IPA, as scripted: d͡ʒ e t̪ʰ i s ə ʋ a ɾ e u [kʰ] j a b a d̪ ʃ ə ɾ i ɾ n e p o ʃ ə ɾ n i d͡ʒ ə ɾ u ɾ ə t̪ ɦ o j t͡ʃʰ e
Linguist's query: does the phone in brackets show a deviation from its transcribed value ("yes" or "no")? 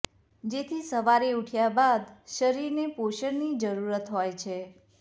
yes